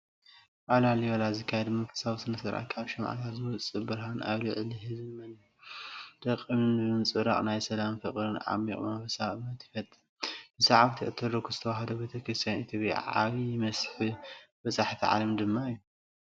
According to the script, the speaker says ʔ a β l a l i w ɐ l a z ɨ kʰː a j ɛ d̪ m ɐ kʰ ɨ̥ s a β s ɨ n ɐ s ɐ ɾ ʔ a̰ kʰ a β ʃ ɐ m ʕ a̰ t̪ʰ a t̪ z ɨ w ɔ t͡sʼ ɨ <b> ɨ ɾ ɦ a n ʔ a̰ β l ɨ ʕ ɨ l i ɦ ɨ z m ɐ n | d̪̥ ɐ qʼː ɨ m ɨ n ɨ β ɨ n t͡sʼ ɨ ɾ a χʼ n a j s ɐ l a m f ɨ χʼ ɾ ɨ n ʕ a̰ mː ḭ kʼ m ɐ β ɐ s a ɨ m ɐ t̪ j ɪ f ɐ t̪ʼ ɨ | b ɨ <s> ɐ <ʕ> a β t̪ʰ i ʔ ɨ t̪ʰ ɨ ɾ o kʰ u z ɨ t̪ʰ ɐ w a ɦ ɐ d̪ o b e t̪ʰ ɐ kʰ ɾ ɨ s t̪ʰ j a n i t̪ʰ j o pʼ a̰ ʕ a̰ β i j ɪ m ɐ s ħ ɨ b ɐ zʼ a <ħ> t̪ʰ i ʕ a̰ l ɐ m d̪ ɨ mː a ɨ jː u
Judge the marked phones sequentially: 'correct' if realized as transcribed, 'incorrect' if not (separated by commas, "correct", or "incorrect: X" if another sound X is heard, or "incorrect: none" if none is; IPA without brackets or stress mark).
correct, correct, correct, correct